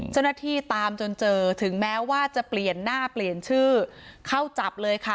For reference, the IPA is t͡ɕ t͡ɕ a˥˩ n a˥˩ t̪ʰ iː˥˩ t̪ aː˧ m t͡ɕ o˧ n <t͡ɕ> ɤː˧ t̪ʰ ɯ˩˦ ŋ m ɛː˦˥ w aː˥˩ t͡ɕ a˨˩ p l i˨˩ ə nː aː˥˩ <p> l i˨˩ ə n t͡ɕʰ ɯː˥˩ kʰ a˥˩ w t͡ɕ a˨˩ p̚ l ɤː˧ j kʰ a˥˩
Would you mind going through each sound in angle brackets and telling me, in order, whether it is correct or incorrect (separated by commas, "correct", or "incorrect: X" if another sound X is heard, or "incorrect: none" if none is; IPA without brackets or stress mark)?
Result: correct, correct